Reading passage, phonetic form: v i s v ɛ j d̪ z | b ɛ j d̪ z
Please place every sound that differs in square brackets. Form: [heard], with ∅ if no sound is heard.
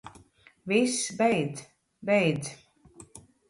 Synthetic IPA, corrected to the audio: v i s [b] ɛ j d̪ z | b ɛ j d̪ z